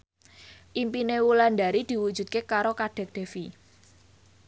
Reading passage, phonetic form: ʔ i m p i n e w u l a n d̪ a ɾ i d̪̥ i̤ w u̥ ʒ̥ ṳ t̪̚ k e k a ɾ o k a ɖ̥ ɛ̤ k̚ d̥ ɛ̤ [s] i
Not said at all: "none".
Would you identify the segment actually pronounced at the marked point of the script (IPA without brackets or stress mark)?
f